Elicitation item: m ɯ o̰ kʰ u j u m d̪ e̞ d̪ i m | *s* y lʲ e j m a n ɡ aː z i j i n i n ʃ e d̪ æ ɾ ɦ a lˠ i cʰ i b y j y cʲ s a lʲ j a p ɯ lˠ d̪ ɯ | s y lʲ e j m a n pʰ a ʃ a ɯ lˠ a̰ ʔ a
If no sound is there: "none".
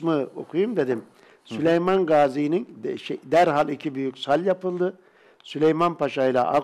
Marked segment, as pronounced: s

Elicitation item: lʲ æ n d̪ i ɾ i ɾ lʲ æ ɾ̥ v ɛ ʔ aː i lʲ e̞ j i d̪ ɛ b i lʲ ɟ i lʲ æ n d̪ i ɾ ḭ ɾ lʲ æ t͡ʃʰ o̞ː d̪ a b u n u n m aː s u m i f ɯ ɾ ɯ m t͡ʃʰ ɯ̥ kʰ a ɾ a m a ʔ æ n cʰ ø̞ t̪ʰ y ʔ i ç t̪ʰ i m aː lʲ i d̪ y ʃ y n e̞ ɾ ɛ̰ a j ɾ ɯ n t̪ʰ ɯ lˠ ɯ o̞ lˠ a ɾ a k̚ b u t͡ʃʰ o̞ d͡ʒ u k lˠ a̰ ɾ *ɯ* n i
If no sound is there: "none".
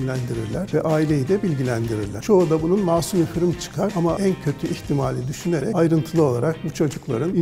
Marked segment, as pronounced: ɯ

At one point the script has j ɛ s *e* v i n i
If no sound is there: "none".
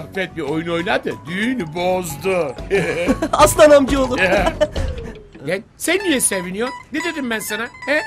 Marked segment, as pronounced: e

